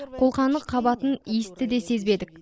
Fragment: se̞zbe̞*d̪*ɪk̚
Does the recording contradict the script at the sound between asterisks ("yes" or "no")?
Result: no